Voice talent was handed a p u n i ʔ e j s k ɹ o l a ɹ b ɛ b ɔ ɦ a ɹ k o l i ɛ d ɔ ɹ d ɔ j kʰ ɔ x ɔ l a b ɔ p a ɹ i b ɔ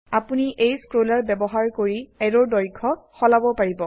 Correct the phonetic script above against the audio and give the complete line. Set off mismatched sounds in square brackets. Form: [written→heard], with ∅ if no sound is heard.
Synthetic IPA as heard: a p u n i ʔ e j s k ɹ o l a ɹ b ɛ b ɔ ɦ a ɹ k o [l→ɹ] i ɛ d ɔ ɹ d ɔ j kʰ ɔ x ɔ l a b ɔ p a ɹ i b ɔ